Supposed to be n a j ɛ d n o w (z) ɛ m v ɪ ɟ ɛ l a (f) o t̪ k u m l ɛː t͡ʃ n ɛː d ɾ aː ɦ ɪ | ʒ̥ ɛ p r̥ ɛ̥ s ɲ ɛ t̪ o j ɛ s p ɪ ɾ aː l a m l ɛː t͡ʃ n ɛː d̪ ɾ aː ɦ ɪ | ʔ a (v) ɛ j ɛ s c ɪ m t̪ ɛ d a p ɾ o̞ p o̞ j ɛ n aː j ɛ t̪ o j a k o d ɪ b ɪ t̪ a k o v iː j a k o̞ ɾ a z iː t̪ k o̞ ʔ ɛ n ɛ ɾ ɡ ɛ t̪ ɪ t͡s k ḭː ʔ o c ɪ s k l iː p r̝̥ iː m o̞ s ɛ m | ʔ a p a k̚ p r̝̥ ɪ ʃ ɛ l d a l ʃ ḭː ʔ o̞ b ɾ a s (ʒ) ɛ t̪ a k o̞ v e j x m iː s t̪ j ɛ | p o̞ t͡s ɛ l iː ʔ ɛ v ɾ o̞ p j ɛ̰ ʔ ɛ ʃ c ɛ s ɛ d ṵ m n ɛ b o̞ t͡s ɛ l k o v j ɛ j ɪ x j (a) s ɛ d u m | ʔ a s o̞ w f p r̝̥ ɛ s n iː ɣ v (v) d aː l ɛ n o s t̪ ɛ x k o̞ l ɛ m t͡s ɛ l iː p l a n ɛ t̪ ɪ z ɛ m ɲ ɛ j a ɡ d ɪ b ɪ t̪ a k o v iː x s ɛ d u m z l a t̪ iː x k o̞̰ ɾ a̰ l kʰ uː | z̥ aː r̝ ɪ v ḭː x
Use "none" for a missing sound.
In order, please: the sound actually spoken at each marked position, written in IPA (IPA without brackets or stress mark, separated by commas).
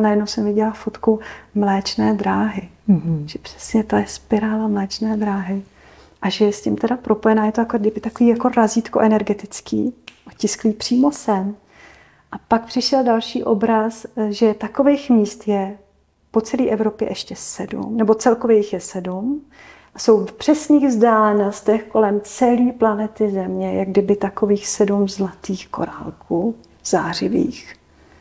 s, f, ʒ, ʒ, ɛ, z